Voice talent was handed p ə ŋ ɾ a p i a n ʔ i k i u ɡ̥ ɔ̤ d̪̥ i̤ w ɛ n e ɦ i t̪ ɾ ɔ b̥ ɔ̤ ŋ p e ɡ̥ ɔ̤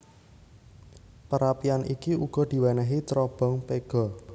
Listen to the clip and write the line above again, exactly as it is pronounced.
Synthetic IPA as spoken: p ə ɾ a p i a n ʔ i k i u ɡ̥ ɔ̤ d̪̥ i̤ w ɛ n ɛ ɦ i t̪ ɾ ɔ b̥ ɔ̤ ŋ p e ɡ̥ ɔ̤